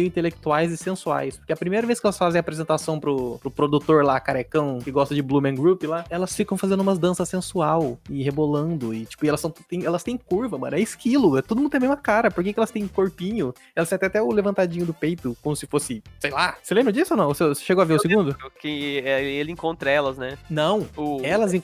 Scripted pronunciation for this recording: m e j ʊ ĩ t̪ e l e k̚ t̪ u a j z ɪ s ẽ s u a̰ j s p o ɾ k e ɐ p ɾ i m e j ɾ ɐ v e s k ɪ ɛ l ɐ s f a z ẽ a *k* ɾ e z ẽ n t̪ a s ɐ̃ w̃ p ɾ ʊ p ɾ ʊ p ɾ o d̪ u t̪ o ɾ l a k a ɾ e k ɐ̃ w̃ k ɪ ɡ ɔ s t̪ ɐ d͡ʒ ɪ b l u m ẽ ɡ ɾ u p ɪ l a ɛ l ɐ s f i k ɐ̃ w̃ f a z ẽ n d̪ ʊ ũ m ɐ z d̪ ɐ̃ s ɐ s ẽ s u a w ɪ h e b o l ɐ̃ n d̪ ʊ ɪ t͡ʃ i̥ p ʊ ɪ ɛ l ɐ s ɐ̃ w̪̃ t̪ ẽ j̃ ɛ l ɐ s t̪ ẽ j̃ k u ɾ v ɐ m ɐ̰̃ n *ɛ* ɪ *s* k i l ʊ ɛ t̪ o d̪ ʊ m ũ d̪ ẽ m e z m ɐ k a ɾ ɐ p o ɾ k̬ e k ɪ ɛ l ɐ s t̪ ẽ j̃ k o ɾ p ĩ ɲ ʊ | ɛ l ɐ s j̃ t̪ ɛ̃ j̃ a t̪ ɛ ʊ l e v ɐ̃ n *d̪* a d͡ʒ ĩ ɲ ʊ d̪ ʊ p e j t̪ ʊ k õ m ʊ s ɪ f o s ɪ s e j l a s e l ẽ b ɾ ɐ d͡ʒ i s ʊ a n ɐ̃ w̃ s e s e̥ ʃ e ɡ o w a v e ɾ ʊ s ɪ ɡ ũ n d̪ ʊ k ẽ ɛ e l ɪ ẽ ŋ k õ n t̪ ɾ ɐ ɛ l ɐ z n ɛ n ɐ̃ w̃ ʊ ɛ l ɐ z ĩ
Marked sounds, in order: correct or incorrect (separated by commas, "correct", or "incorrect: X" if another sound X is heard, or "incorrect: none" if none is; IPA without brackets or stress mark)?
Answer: incorrect: p, correct, correct, incorrect: t̪